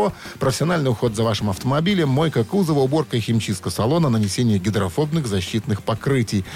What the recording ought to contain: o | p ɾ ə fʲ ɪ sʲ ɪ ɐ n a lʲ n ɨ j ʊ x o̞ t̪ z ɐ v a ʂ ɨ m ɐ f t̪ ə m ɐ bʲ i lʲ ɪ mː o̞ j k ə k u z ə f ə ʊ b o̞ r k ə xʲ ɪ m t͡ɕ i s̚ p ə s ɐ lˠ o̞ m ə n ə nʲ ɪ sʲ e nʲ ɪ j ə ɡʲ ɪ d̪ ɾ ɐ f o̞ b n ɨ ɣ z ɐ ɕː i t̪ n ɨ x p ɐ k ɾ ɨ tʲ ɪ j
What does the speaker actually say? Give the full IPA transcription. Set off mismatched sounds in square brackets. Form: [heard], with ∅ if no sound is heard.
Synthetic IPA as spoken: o | p ɾ ə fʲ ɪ sʲ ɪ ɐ n a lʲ n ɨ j ʊ x o̞ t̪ z ɐ v a ʂ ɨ m ɐ f t̪ ə m ɐ bʲ i lʲ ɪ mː o̞ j k ə k u z ə [v] ə ʊ b o̞ r k ə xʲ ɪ m t͡ɕ i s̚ [k] ə s ɐ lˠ o̞ [n] ə n ə nʲ ɪ sʲ e nʲ ɪ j ə ɡʲ ɪ d̪ ɾ ɐ f o̞ b n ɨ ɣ z ɐ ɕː i t̪ n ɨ x p ɐ k ɾ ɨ tʲ ɪ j